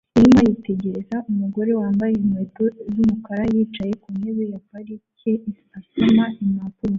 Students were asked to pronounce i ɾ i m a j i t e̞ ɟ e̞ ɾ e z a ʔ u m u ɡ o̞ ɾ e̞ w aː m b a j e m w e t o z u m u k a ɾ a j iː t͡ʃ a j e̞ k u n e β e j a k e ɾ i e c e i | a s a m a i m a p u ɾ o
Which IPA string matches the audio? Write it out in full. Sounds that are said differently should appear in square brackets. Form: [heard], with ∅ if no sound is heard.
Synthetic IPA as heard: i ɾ i m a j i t e̞ ɟ e̞ ɾ e z a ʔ u m u ɡ o̞ ɾ e̞ w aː m b a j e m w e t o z u m u k a ɾ a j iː t͡ʃ a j e̞ k u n e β e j a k [a] ɾ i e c e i | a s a m a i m a p u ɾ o